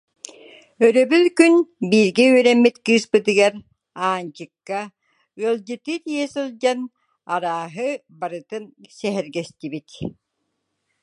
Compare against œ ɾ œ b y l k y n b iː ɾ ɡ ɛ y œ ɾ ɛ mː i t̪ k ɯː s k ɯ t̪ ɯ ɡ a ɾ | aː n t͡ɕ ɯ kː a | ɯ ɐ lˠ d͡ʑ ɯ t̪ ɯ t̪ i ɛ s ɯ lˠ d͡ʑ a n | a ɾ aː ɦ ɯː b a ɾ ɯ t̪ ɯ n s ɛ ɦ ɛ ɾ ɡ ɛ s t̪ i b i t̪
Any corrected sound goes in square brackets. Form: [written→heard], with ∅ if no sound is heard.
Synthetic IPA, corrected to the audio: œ ɾ œ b y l k y n b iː ɾ ɡ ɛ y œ ɾ ɛ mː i t̪ k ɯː s [k→p] ɯ t̪ ɯ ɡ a ɾ | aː n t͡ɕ ɯ kː a | ɯ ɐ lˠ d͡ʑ ɯ t̪ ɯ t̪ i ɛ s ɯ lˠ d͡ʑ a n | a ɾ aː ɦ [ɯː→ɯ] b a ɾ ɯ t̪ ɯ n s ɛ ɦ ɛ ɾ ɡ ɛ s t̪ i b i t̪